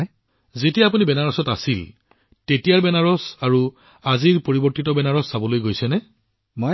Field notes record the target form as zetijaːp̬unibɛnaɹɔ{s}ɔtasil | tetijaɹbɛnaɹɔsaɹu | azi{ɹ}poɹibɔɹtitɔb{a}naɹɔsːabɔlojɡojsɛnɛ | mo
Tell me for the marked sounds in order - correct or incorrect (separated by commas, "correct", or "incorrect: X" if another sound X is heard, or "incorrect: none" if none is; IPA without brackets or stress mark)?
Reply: correct, correct, incorrect: ɛ